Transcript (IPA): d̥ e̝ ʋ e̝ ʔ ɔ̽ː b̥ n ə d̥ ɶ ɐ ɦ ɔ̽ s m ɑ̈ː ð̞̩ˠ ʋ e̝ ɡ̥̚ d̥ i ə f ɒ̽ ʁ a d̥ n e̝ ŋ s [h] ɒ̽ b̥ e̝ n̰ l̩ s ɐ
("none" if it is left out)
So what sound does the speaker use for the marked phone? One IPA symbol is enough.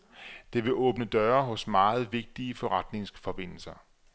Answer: f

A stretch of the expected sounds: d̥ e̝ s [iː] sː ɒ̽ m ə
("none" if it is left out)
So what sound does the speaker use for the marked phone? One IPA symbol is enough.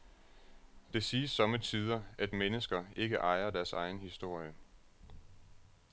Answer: iː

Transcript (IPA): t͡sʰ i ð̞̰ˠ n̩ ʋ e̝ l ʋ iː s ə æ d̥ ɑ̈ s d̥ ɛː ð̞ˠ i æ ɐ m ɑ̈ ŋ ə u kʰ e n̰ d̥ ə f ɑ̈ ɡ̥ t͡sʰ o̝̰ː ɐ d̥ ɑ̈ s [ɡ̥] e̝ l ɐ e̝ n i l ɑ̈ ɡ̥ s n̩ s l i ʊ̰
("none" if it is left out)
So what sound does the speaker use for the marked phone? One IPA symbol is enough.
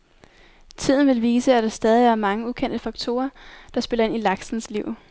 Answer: b̥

